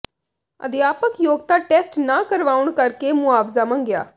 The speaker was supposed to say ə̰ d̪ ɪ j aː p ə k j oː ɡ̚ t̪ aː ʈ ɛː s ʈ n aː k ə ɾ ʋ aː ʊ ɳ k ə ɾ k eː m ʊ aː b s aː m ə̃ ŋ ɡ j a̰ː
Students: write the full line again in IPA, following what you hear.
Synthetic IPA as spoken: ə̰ d̪ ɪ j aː p ə k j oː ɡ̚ t̪ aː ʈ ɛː s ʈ n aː k ə ɾ ʋ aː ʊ ɳ k ə ɾ k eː m ʊ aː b z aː m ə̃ ŋ ɡ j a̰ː